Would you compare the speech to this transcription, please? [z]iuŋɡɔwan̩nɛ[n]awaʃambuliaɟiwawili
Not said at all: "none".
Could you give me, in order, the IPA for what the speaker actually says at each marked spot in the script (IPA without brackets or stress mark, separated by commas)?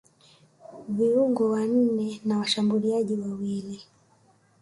v, n